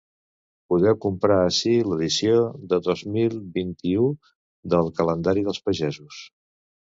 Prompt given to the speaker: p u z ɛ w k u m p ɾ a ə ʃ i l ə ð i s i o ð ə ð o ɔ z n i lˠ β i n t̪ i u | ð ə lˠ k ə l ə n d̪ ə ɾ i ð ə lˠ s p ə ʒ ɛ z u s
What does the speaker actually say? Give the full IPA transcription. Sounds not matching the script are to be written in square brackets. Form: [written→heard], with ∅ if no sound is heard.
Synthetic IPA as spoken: p u [z→ð] ɛ w k u m p ɾ a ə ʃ i l ə ð i s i o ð ə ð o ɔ z [n→m] i lˠ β i n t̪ i u | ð ə lˠ k ə l ə n d̪ [ə→a] ɾ i ð ə lˠ s p ə ʒ ɛ z u s

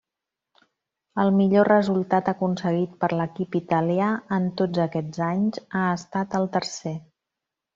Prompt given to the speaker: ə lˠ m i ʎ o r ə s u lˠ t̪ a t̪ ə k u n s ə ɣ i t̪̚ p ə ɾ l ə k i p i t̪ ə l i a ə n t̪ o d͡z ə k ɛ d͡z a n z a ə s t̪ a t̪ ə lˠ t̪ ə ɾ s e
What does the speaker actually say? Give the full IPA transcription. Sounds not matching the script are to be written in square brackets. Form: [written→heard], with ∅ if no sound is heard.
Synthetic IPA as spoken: ə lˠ m i ʎ o r ə [s→z] u lˠ t̪ a t̪ ə k u n s ə ɣ i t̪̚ p ə ɾ l ə k i p i t̪ ə l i a ə n t̪ o d͡z ə k ɛ d͡z a [n→ɲ] z a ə s t̪ a t̪ ə lˠ t̪ ə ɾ s e

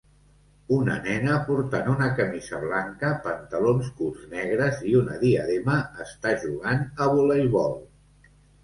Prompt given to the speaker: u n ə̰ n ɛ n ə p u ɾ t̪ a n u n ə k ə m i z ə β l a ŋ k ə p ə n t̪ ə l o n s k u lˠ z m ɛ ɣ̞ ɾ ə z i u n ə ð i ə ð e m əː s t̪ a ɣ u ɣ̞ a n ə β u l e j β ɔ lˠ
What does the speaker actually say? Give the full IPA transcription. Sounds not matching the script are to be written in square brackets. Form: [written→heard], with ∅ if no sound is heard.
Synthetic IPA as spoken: u n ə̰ n ɛ n ə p u ɾ t̪ a n u n ə k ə m i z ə β l a ŋ k ə p ə n t̪ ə l o n s k u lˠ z [m→n] ɛ ɣ̞ ɾ ə z i u n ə ð i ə ð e m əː s t̪ a [ɣ→ʒ] u ɣ̞ a n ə β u l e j β ɔ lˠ

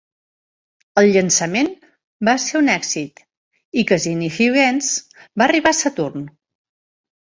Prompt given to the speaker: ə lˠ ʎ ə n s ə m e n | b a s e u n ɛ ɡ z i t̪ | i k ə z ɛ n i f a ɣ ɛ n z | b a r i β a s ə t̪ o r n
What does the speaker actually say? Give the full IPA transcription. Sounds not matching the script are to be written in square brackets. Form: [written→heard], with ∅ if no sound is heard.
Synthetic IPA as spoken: ə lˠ ʎ ə n s ə m e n | b a s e u n ɛ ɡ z i t̪ | i k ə z [ɛ→i] n i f [a→i] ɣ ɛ n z | b a r i β a s ə t̪ [o→u] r n

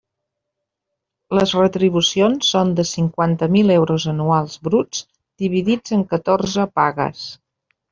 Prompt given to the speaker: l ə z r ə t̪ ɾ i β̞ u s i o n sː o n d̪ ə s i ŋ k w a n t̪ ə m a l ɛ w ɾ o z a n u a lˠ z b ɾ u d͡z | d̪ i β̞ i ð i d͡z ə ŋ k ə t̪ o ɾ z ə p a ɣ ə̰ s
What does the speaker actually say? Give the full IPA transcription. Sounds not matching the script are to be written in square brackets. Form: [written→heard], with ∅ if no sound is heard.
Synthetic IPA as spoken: l ə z r ə t̪ ɾ i β̞ u s i o n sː o n d̪ ə s i ŋ k w a n t̪ ə m [a→i] l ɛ w ɾ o z [a→ə] n u a lˠ z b ɾ u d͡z | d̪ i β̞ i ð i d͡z ə ŋ k ə t̪ o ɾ z ə p a ɣ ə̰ s

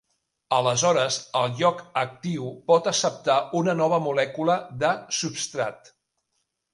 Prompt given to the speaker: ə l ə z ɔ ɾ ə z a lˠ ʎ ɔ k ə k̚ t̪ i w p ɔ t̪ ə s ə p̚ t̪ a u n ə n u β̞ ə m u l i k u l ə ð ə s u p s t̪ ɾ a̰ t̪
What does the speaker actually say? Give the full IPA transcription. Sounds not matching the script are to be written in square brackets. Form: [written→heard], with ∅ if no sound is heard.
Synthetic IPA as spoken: ə l ə z ɔ ɾ ə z [a→ə] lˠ ʎ ɔ k ə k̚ t̪ i w p ɔ t̪ ə s ə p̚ t̪ a u n ə n [u→ɔ] β̞ ə m u l [i→ɛ] k u l ə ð ə s u p s t̪ ɾ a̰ t̪

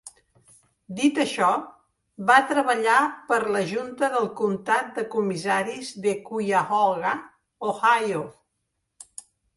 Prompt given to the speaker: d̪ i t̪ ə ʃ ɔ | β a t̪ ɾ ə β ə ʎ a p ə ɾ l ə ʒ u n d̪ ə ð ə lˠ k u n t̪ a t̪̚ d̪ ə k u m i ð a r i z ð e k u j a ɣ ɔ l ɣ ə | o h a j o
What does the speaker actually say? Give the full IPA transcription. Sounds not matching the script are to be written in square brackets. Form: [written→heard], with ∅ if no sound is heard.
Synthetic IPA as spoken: d̪ i t̪ ə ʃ ɔ | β a t̪ ɾ ə β ə ʎ a p ə ɾ l ə ʒ u n [d̪→t̪] ə ð ə lˠ k u n t̪ a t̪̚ d̪ ə k u m i [ð→z] a [r→ɾ] i z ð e k u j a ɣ ɔ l ɣ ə | o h a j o

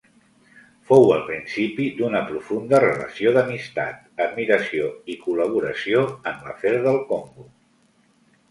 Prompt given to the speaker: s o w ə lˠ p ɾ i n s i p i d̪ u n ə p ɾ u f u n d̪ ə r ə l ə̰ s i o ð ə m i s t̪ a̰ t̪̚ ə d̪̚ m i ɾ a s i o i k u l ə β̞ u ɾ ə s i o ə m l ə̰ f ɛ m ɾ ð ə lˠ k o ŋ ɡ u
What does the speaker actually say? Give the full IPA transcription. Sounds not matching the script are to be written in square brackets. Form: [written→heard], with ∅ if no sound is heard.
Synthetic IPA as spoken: [s→f] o w ə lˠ p ɾ i n s i p i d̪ u n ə p ɾ u f u n d̪ ə r ə l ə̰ s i o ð ə m i s t̪ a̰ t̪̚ ə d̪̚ m i ɾ [a→ə] s i o i k u l ə β̞ u ɾ ə s i o ə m l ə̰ f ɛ [m→∅] ɾ ð ə lˠ k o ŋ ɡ u

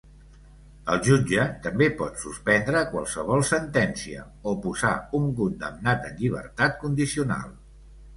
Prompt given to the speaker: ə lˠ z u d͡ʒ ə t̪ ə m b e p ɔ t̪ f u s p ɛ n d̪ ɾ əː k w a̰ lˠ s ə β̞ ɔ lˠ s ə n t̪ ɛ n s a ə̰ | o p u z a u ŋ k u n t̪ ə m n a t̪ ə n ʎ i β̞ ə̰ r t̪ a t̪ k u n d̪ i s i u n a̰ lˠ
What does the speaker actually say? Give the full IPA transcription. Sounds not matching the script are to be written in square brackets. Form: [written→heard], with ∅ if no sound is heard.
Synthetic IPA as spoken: ə lˠ [z→ʒ] u d͡ʒ ə t̪ ə m b e p ɔ t̪ [f→s] u s p ɛ n d̪ ɾ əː k w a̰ lˠ s ə β̞ ɔ lˠ s ə n t̪ ɛ n s [a→i] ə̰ | o p u z a u ŋ k u n [t̪→d̪] ə m n a t̪ ə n ʎ i β̞ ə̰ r t̪ a t̪ k u n d̪ i s i u n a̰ lˠ

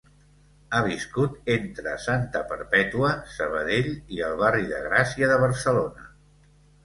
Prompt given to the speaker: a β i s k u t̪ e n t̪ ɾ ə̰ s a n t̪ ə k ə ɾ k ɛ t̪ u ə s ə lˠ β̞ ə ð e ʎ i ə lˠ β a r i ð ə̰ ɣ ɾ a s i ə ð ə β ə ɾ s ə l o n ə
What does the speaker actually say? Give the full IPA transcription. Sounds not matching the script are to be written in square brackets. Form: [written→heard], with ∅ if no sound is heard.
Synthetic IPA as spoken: a β i s k u t̪ e n t̪ ɾ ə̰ s a n t̪ ə [k→p] ə ɾ [k→p] ɛ t̪ u ə s ə [lˠ→∅] β̞ ə ð e ʎ i ə lˠ β a r i ð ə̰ ɣ ɾ a s i ə ð ə β ə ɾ s ə l o n ə

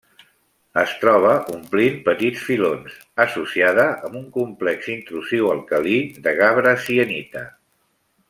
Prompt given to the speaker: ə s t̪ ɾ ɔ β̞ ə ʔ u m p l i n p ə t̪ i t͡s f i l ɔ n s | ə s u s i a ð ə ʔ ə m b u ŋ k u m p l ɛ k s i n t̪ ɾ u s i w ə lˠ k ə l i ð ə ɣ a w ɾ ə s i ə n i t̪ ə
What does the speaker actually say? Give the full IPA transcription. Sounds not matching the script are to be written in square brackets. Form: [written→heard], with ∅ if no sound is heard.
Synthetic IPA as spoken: ə s t̪ ɾ ɔ β̞ ə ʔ u m p l i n p ə t̪ i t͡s f i l [ɔ→o] n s | ə s u s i a ð ə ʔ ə m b u ŋ k u m p l ɛ k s i n t̪ ɾ u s i w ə lˠ k ə l i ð ə ɣ a [w→β] ɾ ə s i ə n i t̪ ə

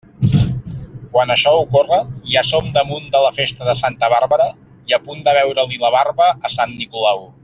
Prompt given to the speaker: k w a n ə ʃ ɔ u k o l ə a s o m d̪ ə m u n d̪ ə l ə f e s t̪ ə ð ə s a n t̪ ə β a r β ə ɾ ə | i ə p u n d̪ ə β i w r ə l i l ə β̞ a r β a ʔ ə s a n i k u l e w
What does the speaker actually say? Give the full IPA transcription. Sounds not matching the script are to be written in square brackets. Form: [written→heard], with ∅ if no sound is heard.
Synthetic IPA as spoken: k w a n ə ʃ ɔ u k o [l→r] ə a s o m d̪ ə m u n d̪ ə l ə f e s t̪ ə ð ə s a n t̪ ə β a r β ə ɾ ə | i ə p u n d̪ ə β [i→ɛ] w [r→ɾ] ə l i l ə β̞ a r β [a→ə] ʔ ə s a [n→nː] i k u l [e→a] w

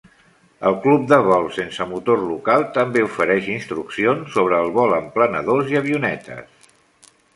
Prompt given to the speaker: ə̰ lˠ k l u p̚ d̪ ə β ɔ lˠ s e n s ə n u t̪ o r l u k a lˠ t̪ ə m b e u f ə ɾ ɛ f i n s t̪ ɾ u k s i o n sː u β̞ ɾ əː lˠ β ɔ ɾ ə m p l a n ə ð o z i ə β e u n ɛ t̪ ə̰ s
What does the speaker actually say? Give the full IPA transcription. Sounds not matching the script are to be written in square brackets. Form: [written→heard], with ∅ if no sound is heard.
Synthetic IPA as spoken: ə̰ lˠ k l u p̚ d̪ ə β ɔ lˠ s e n s ə [n→m] u t̪ o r l u k a lˠ t̪ ə m b e u f ə ɾ ɛ [f→ʃ] i n s t̪ ɾ u k s i o n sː [u→o] β̞ ɾ əː lˠ β ɔ [ɾ→l] ə m p l [a→ə] n ə ð o z i ə β [e→i] u n ɛ t̪ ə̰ s

